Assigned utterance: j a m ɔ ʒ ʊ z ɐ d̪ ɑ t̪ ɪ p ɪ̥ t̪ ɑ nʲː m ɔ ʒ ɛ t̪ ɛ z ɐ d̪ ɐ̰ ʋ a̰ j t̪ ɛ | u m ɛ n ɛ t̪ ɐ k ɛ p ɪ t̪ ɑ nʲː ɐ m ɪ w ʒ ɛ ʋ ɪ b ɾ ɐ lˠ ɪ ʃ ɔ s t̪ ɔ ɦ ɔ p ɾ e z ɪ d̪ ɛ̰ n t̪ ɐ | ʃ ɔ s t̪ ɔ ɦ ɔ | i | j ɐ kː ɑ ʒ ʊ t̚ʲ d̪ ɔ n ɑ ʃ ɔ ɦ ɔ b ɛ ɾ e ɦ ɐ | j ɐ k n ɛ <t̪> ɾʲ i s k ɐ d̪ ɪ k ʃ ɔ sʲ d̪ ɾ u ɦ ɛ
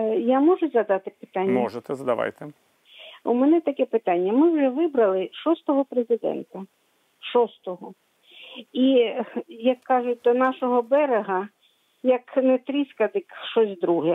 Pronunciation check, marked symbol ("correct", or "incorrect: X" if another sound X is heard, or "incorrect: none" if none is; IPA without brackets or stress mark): correct